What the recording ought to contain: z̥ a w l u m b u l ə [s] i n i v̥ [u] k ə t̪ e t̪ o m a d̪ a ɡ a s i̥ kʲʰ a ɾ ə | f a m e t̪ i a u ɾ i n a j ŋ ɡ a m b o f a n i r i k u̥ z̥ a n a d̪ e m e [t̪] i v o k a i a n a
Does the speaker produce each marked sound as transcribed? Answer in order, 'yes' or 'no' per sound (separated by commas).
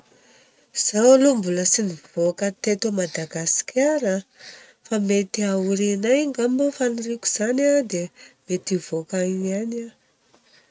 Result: yes, no, yes